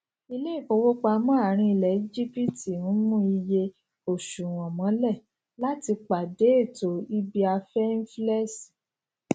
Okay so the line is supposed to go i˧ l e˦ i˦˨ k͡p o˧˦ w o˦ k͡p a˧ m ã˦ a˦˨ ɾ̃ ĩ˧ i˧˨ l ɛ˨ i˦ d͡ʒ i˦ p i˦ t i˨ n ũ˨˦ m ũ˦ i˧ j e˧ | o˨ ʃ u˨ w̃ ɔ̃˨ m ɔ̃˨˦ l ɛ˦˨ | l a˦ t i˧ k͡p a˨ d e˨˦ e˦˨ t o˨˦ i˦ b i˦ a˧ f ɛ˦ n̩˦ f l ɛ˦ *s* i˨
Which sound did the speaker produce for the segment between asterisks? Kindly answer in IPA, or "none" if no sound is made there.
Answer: s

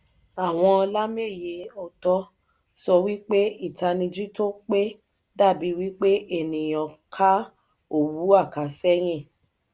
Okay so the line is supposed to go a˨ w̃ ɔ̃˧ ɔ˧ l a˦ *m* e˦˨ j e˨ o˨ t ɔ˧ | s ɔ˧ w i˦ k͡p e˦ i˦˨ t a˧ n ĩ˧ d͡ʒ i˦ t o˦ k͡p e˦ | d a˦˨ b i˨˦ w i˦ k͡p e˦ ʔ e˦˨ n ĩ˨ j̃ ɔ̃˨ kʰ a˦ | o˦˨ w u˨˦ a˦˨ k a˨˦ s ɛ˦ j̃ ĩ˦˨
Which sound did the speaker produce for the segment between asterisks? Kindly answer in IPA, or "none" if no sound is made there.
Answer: m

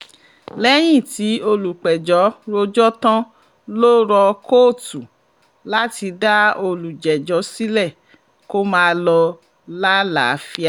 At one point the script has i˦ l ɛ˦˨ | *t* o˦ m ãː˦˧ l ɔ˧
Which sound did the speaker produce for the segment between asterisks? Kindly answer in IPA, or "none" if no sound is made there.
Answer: k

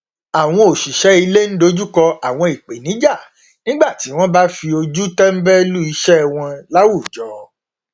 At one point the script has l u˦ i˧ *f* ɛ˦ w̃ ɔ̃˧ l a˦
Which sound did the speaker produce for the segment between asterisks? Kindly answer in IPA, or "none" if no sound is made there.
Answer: ʃ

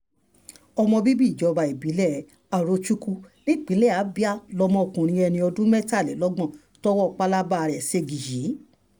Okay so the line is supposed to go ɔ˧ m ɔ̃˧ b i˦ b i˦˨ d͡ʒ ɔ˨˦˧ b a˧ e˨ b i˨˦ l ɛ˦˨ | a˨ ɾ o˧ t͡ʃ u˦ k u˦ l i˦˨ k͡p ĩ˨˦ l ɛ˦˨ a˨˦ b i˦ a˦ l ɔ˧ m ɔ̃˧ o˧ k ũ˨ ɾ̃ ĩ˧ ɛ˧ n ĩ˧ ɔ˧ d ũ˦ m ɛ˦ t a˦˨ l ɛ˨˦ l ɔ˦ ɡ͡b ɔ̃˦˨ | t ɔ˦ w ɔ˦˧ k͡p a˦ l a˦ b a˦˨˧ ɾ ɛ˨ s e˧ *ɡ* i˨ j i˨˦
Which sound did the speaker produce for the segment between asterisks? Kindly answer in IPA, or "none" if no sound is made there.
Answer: ɡ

